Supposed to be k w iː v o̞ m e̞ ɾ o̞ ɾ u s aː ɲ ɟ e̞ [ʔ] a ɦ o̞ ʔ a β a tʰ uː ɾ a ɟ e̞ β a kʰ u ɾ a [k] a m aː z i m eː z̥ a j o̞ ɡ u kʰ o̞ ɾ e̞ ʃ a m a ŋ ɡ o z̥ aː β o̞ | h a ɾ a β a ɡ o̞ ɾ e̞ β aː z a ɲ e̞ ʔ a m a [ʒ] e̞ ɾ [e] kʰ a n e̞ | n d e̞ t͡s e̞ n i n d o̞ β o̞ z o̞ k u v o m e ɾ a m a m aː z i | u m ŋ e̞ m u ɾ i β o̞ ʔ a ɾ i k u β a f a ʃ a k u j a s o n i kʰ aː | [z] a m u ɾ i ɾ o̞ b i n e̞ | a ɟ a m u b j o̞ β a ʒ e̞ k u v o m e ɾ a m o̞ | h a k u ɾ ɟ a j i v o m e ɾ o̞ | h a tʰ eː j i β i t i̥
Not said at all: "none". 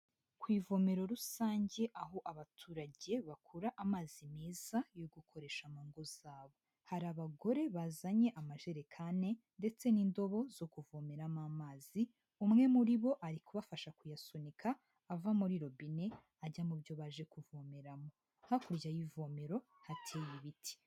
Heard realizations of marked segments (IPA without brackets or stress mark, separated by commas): ʔ, ʔ, ʒ, e, v